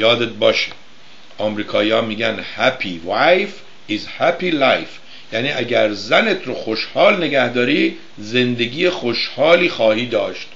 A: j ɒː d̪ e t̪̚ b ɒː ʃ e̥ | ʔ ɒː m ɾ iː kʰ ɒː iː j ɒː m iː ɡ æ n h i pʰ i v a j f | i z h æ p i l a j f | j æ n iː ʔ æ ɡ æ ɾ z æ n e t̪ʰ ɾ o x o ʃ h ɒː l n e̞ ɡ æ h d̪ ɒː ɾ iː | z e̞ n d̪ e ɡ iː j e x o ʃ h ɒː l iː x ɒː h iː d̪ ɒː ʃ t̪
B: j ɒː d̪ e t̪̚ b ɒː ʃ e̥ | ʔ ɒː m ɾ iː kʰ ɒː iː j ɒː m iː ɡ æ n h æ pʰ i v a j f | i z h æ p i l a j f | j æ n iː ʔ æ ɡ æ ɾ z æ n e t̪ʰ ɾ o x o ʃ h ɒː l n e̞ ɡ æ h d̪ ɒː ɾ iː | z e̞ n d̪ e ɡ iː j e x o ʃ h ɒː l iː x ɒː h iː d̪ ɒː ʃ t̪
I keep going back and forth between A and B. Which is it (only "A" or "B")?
B